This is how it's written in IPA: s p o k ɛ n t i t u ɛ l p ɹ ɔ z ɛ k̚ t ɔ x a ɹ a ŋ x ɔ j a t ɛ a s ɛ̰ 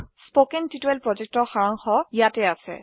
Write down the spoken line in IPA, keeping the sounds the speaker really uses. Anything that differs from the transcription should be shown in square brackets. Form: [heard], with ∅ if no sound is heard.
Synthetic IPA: s p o k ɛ n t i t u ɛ l p ɹ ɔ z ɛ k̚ t ɔ x a ɹ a ŋ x ɔ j a t ɛ a s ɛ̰